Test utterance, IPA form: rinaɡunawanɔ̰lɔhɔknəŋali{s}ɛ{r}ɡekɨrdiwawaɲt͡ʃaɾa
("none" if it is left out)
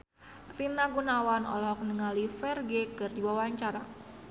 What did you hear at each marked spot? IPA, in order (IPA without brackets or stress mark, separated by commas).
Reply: f, r